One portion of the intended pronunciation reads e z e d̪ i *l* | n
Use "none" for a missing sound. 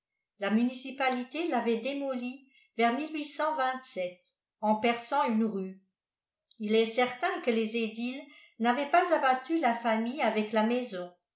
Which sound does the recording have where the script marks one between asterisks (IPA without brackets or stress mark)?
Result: l